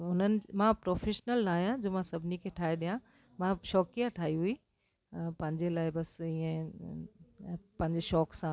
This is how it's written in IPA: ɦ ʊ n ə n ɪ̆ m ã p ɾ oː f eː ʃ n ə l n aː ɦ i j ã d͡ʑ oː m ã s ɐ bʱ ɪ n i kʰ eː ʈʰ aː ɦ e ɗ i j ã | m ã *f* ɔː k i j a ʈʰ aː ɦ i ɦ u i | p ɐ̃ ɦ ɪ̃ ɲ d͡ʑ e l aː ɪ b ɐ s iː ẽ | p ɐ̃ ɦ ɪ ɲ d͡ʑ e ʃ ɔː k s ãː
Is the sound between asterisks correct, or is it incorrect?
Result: incorrect: ʃ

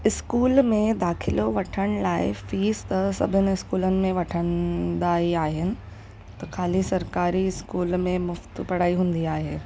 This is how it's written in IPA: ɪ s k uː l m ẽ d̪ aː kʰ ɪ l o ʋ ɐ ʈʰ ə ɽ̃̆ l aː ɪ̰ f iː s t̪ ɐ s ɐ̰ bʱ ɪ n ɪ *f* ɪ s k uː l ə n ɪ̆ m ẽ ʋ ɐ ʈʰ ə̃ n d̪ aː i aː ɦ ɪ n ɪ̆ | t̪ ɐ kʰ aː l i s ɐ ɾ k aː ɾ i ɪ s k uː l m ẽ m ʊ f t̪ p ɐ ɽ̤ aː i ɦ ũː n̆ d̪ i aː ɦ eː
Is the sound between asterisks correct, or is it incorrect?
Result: incorrect: none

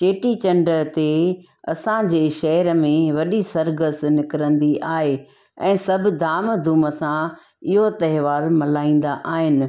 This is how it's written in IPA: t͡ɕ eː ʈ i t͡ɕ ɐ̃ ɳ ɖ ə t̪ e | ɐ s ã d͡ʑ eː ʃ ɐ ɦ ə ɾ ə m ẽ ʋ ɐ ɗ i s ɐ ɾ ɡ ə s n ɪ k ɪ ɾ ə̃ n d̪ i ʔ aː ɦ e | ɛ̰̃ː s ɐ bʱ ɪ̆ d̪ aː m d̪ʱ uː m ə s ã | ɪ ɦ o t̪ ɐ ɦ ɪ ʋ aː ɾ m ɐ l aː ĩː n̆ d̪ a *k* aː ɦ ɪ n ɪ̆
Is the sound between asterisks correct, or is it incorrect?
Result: incorrect: ʔ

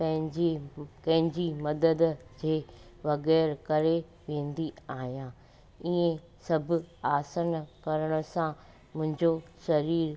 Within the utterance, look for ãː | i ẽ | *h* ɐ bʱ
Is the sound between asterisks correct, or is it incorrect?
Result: incorrect: s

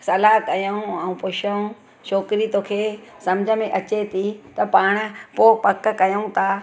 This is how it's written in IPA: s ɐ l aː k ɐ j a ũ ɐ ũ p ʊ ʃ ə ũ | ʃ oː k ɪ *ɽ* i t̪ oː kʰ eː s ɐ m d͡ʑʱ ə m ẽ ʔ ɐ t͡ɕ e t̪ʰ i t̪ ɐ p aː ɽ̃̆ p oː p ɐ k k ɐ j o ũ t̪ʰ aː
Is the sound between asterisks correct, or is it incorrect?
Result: incorrect: ɾ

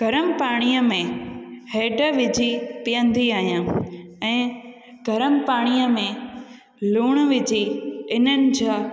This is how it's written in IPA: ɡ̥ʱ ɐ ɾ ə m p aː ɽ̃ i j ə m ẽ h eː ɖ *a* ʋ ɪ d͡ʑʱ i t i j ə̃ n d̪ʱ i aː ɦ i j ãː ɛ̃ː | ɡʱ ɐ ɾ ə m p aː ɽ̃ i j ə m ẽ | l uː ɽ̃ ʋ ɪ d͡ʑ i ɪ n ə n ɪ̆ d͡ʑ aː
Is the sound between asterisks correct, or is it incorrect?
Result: incorrect: ə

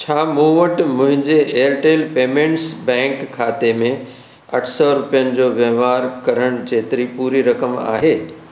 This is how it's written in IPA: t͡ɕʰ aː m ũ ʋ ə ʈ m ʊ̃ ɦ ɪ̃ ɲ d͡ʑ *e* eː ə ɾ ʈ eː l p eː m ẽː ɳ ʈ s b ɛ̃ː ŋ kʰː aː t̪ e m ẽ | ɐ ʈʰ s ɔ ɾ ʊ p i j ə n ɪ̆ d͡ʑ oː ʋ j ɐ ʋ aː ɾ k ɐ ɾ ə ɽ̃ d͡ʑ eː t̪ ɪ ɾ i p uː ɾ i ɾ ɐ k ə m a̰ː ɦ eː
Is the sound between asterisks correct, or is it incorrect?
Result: correct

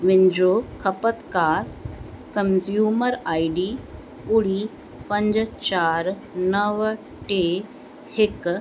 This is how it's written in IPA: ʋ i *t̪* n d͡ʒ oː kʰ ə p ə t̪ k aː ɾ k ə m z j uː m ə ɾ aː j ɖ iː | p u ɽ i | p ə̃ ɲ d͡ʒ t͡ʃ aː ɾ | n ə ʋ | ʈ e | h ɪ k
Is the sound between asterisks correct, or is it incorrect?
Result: incorrect: none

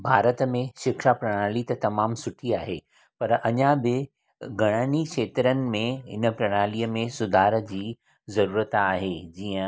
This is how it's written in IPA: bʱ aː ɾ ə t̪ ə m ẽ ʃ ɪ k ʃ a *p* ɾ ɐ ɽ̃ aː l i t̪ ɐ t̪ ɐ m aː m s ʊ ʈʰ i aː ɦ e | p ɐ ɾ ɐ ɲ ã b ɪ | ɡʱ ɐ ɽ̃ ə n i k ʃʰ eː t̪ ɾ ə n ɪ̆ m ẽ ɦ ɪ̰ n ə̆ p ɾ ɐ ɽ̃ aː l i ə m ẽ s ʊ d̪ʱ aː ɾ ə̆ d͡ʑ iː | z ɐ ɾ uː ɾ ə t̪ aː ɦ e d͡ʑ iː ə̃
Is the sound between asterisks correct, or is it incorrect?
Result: correct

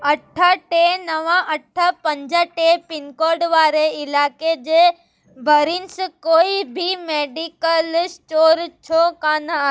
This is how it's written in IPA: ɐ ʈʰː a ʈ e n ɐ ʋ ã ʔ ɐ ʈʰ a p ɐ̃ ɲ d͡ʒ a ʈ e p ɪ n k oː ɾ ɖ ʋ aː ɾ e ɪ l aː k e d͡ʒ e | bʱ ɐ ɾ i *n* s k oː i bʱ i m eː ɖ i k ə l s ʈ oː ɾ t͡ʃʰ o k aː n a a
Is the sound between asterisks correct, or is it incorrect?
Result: correct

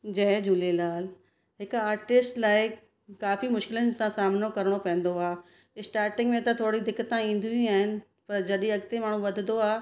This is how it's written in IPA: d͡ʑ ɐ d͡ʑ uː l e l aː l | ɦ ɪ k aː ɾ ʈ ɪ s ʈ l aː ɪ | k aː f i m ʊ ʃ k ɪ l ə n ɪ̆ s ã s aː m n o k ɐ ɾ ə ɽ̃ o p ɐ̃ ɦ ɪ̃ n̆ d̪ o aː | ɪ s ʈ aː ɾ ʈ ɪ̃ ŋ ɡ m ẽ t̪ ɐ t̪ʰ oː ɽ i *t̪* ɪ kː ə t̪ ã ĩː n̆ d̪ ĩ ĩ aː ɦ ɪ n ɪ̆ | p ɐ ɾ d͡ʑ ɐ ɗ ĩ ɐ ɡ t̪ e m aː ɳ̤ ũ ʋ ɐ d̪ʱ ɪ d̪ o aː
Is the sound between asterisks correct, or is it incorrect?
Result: incorrect: d̪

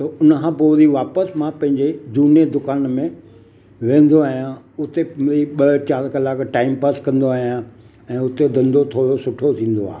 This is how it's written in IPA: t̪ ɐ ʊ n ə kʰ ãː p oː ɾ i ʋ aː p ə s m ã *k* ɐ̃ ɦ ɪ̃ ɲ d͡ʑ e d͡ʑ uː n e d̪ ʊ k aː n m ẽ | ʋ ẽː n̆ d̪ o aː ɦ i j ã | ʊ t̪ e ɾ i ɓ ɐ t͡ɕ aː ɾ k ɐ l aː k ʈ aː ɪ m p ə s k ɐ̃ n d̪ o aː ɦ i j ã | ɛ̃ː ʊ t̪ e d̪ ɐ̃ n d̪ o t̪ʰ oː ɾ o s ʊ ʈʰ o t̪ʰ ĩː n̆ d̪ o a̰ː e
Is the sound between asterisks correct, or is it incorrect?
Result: incorrect: p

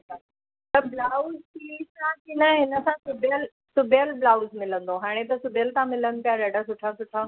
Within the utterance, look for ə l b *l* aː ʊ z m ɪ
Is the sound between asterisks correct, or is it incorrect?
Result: correct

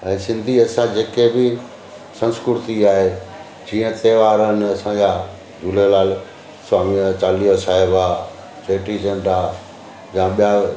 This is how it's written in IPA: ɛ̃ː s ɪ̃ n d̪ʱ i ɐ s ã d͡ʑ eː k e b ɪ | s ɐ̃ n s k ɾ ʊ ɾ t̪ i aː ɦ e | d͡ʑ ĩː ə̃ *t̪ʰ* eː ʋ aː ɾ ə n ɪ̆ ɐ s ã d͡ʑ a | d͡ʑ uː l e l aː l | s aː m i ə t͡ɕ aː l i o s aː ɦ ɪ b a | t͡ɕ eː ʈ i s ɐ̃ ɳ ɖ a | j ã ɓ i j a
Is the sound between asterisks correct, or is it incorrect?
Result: incorrect: t̪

